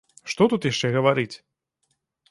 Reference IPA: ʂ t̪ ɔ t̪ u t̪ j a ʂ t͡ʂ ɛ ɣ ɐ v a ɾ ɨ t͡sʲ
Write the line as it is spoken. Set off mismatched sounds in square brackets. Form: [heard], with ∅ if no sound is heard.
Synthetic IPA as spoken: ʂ t̪ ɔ t̪ u t̪ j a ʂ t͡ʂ ɛ ɣ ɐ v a ɾ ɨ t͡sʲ